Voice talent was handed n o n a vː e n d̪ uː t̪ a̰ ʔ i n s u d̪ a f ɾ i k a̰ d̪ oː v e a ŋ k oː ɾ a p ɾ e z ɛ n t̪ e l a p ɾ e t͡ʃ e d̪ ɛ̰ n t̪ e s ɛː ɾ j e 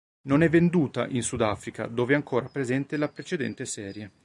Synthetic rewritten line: n o n ɛ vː e n d̪ uː t̪ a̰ ʔ i n s u d̪ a f ɾ i k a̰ d̪ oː v e a ŋ k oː ɾ a p ɾ e z ɛ n t̪ e l a p ɾ e t͡ʃ e d̪ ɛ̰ n t̪ e s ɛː ɾ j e